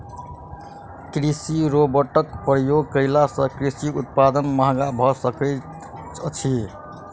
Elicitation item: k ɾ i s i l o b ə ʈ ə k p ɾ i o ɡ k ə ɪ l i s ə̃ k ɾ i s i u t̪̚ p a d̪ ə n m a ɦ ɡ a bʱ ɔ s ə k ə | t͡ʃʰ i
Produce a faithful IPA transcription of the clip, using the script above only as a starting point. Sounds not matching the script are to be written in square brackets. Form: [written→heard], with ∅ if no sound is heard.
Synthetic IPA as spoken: k ɾ i s i [l→ɾ] o b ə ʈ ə k p ɾ [i→j] o ɡ k ə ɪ l [i→a] s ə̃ k ɾ i s i u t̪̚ p a d̪ ə n m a ɦ ɡ a bʱ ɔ s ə k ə | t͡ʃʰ i

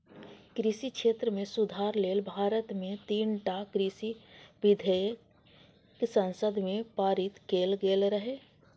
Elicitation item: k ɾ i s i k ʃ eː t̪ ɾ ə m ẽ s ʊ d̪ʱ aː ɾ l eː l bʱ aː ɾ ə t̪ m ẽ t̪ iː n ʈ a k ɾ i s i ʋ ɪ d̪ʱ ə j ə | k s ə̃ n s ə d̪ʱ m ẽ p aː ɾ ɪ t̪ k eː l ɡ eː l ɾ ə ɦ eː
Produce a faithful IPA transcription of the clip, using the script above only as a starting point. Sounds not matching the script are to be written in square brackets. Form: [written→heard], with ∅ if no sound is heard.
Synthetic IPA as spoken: k ɾ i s i k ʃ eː t̪ ɾ ə m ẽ s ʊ d̪ʱ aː ɾ l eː l bʱ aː ɾ ə t̪ m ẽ t̪ iː n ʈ a k ɾ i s i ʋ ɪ d̪ʱ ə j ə | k s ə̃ n s ə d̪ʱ m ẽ p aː ɾ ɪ t̪ k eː l ɡ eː l ɾ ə ɦ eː

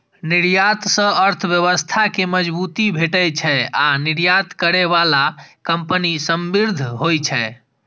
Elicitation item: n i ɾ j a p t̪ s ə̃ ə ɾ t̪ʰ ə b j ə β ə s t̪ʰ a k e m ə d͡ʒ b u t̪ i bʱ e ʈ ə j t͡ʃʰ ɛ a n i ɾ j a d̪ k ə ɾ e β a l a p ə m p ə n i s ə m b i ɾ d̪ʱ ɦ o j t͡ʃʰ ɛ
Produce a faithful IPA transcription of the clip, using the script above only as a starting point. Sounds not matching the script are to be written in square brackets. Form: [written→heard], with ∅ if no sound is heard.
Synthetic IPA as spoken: n i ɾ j a [p→∅] t̪ s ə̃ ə ɾ t̪ʰ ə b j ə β ə s t̪ʰ a k e m ə d͡ʒ b u t̪ i bʱ e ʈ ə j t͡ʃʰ ɛ a n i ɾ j a [d̪→t̪] k ə ɾ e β a l a [p→k] ə m p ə n i s ə m b i ɾ d̪ʱ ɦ o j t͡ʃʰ ɛ

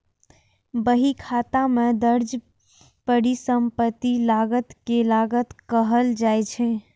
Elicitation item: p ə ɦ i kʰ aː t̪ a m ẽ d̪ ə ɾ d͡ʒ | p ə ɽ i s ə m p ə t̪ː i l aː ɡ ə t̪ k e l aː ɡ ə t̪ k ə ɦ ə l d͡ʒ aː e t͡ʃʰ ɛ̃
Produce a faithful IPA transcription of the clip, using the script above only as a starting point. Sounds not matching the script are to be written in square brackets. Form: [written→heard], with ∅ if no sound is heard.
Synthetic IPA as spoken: [p→b] ə ɦ i kʰ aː t̪ a m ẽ d̪ ə ɾ d͡ʒ | p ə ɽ i s ə m p ə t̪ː i l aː ɡ ə t̪ k e l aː ɡ ə t̪ k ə ɦ ə l d͡ʒ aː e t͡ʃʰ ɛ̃

